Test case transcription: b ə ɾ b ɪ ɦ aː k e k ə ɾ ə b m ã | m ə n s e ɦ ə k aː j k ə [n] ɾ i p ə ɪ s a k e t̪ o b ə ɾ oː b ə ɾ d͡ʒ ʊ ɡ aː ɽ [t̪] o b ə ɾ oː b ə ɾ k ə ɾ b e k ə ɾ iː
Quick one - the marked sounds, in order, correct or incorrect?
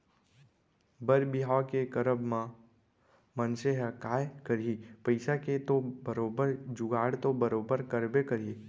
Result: incorrect, correct

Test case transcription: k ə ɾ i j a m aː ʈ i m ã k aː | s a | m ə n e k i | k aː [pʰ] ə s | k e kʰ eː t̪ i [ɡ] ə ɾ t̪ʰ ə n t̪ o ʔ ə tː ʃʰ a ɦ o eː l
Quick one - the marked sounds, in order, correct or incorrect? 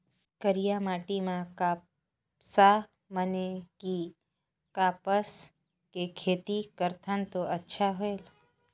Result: incorrect, incorrect

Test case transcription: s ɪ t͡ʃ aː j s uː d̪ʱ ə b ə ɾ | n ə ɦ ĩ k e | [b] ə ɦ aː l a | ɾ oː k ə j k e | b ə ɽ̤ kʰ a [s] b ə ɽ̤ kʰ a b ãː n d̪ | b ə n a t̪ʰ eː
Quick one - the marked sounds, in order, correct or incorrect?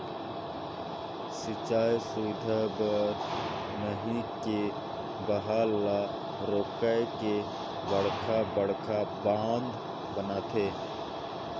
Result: correct, incorrect

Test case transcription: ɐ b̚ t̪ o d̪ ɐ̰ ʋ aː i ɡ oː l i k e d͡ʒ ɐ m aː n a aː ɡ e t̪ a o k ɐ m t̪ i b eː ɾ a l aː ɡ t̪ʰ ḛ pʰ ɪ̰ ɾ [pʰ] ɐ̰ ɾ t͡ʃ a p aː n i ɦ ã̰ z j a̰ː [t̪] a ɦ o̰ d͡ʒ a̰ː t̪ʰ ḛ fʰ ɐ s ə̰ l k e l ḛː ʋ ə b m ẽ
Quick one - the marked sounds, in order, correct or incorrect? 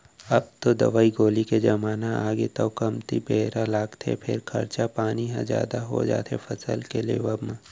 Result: incorrect, incorrect

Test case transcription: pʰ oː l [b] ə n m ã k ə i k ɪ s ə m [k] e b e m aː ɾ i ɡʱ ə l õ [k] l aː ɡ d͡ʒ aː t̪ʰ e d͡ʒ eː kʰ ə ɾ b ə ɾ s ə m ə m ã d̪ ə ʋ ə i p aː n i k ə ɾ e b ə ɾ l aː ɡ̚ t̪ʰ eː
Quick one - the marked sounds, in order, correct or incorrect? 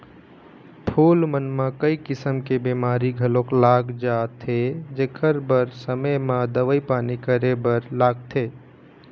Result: incorrect, correct, correct

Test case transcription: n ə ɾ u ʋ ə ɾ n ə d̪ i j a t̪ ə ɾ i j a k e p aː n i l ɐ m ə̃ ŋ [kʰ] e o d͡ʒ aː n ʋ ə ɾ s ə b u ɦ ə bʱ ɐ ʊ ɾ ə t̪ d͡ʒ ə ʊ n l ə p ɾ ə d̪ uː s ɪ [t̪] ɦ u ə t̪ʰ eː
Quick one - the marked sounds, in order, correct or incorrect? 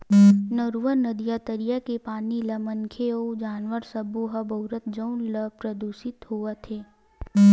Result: correct, correct

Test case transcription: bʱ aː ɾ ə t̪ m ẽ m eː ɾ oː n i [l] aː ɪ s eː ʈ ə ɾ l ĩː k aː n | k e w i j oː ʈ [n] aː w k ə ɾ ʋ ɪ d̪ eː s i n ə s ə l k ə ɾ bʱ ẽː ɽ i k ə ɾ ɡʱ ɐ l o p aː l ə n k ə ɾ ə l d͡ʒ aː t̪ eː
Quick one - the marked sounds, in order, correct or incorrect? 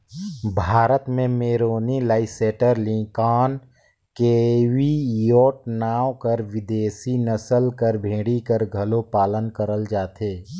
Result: correct, correct

